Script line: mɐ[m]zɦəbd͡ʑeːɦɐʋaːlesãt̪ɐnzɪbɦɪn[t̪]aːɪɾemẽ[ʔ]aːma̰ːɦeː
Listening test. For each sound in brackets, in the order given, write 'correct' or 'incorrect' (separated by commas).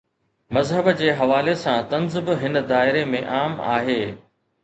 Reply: incorrect, incorrect, correct